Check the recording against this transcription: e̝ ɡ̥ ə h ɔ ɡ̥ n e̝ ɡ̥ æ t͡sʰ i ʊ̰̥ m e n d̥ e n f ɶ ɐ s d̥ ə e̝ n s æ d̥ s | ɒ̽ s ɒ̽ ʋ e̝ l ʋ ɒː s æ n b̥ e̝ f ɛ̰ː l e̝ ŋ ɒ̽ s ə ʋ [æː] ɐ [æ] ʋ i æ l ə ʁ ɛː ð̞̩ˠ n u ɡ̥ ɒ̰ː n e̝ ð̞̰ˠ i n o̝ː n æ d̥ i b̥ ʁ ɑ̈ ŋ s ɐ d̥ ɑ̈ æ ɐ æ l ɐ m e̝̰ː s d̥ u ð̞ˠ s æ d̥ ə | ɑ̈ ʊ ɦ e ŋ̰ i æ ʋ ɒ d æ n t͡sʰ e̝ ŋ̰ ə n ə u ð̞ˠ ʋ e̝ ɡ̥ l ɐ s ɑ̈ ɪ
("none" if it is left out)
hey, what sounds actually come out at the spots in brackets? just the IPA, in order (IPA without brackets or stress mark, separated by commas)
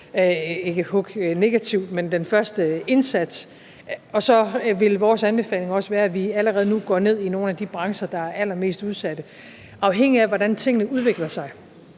æː, æ